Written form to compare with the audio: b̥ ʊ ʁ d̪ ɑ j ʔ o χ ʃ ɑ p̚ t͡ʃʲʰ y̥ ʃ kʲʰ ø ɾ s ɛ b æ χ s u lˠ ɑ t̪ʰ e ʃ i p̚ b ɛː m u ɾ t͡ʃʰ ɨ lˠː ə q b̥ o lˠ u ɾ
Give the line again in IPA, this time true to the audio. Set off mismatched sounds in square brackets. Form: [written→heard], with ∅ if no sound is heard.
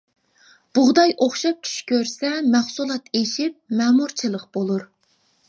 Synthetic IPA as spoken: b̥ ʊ ʁ d̪ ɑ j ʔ o χ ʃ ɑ p̚ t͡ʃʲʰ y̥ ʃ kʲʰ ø ɾ s ɛ [b→m] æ χ s u lˠ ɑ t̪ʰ e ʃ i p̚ [b→m] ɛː m u ɾ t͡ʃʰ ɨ [lˠː→lˠ] ə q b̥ o lˠ u ɾ